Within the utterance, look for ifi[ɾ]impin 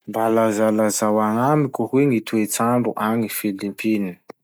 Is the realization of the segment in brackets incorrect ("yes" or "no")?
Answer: yes